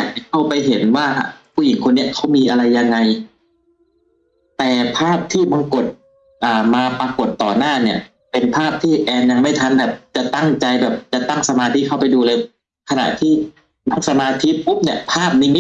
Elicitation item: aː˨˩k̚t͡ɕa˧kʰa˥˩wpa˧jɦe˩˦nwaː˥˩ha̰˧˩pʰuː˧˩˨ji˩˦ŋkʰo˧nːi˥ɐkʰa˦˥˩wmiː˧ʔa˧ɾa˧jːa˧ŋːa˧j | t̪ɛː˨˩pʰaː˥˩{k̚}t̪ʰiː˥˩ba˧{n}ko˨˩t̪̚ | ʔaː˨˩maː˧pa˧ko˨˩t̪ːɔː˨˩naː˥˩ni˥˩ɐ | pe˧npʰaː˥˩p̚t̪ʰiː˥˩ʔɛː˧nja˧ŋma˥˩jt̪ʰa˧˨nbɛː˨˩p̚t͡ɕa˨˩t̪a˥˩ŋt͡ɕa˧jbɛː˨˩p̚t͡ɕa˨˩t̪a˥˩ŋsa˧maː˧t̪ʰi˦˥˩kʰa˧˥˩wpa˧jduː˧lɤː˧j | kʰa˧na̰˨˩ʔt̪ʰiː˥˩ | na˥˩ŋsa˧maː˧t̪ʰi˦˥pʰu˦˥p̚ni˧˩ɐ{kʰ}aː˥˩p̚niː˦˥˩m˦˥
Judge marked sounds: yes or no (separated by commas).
no, no, no